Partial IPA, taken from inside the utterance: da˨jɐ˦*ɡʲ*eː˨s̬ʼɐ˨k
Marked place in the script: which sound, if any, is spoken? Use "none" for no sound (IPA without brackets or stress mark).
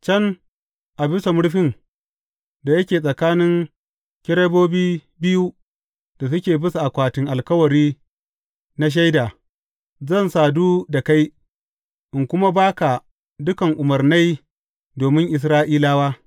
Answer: kʲ